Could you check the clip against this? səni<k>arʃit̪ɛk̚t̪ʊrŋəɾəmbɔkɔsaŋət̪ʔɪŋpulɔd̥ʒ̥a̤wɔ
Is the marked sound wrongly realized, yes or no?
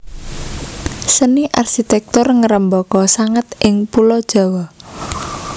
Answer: yes